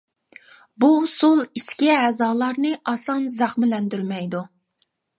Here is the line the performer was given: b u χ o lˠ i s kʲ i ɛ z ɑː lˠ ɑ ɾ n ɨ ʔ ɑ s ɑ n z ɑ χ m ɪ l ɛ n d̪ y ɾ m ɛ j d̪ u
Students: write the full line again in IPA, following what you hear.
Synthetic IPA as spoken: b u s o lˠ i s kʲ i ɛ z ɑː lˠ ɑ ɾ n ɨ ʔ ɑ s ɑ n z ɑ χ m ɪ l ɛ n d̪ y ɾ m ɛ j d̪ u